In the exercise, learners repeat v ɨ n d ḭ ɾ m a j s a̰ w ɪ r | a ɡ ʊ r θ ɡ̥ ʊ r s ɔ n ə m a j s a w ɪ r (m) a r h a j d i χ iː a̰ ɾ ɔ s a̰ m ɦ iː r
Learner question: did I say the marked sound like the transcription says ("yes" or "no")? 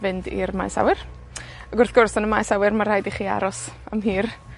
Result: yes